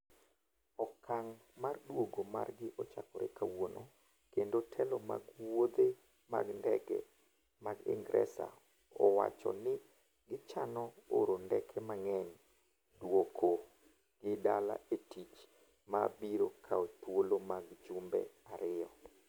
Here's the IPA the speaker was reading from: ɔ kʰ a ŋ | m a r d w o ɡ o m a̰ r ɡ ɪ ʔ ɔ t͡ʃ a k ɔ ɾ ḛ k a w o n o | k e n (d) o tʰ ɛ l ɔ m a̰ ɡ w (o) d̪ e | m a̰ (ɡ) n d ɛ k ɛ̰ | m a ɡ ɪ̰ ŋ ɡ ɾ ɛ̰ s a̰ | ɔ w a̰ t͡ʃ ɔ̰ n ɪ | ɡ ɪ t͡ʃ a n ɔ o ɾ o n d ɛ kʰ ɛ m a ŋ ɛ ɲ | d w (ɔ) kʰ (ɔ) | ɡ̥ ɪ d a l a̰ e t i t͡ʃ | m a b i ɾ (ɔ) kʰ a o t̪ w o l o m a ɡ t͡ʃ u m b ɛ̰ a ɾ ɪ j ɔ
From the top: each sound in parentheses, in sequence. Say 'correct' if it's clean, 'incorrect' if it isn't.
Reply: correct, correct, correct, incorrect, incorrect, incorrect

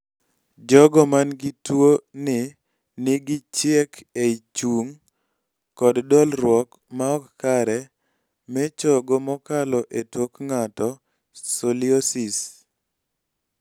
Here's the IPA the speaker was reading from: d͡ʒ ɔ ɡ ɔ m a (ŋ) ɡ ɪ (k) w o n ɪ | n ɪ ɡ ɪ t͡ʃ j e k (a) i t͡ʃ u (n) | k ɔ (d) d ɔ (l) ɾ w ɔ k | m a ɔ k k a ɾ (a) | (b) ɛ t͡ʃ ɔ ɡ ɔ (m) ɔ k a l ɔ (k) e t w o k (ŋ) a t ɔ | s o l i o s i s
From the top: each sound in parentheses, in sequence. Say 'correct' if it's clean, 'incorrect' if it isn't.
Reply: incorrect, incorrect, incorrect, incorrect, correct, correct, incorrect, incorrect, correct, incorrect, correct

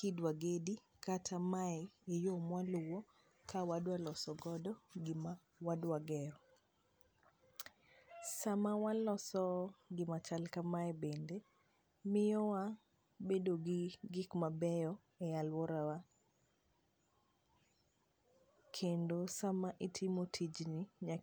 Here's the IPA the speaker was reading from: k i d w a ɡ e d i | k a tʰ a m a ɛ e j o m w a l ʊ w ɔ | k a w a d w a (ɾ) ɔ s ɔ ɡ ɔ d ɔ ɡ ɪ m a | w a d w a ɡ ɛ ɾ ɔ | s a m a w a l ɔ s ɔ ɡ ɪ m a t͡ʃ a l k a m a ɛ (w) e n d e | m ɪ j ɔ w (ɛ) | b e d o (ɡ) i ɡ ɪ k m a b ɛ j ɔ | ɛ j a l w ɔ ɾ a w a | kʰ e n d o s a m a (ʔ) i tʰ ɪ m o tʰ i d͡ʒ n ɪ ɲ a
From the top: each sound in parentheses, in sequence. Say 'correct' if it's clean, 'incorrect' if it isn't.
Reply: incorrect, incorrect, incorrect, correct, correct

